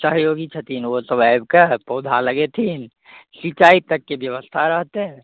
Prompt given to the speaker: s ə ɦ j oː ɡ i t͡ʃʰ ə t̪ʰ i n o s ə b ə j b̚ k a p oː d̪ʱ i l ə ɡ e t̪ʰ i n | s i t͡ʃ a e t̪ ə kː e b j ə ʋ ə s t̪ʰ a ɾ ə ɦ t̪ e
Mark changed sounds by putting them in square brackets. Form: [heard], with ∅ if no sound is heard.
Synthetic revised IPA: s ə ɦ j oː ɡ i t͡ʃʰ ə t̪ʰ i n o s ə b [a] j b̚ k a p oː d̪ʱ [a] l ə ɡ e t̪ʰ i n | s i t͡ʃ a [i] t̪ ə kː e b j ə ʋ ə s t̪ʰ a ɾ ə ɦ t̪ e

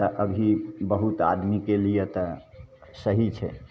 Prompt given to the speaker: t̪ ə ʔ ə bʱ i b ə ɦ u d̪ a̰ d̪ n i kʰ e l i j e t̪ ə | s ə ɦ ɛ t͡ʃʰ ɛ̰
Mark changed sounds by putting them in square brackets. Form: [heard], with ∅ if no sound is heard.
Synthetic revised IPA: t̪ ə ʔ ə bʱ i b ə ɦ u [t̪] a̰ d̪ [m] i [k] e l i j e t̪ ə | s ə ɦ [i] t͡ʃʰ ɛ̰

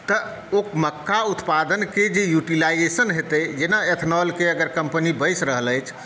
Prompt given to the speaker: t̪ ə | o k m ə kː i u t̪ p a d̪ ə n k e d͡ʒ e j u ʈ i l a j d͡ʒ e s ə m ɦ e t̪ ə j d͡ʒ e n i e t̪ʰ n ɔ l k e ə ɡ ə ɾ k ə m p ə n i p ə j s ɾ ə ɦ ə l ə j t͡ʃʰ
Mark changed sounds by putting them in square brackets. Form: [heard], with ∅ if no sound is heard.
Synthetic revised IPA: t̪ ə | o k m ə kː [a] u t̪ p a d̪ ə n k e d͡ʒ e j u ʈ i l a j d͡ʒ e s ə [n] ɦ e t̪ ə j d͡ʒ e n [a] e t̪ʰ n ɔ l k e ə ɡ ə ɾ k ə m p ə n i [b] ə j s ɾ ə ɦ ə l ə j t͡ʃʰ

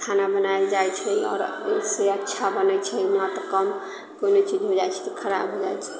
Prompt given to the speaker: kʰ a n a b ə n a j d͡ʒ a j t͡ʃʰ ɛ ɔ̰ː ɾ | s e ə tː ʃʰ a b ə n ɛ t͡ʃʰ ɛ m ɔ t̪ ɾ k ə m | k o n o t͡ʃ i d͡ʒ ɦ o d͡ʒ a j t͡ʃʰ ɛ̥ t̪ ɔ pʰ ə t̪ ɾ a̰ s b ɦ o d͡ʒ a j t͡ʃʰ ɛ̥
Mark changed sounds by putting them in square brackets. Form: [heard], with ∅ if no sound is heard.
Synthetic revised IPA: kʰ a n a b ə n a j d͡ʒ a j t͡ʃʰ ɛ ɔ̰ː ɾ | s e ə tː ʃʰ a b ə n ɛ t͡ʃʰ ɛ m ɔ t̪ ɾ k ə m | k o n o t͡ʃ i d͡ʒ ɦ o d͡ʒ a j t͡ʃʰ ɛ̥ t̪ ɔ [kʰ] ə [∅] ɾ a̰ [∅] b ɦ o d͡ʒ a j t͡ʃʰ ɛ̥

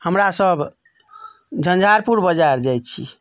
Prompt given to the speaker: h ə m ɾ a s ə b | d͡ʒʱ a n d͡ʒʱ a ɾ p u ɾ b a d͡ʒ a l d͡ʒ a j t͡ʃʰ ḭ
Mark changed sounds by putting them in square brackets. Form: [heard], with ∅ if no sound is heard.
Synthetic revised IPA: h ə m ɾ a s ə b | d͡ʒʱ [ə] n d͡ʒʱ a ɾ p u ɾ b [ə] d͡ʒ a [ɾ] d͡ʒ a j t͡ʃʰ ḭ

